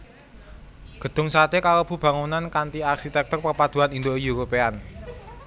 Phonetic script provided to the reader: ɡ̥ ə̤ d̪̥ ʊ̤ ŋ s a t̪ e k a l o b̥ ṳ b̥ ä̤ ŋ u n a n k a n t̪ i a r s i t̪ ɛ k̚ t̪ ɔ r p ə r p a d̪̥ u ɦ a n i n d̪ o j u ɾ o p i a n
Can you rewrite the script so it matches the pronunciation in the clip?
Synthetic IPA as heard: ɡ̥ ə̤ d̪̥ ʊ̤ ŋ s a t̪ e k a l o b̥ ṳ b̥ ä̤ ŋ u n a n k a n t̪ i a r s i t̪ ɛ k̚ t̪ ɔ r p ə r p a d̪̥ u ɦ a n i n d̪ o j u ɾ o p e a n